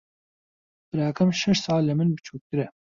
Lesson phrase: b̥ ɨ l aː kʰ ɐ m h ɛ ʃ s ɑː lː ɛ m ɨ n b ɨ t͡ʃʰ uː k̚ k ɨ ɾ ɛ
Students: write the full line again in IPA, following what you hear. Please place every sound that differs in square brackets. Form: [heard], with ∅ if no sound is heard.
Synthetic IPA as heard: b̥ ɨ [ɾ] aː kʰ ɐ m [ʃ] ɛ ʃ s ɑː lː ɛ m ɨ n b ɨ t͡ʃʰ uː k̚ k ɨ ɾ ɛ